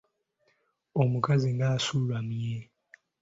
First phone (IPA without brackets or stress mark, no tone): o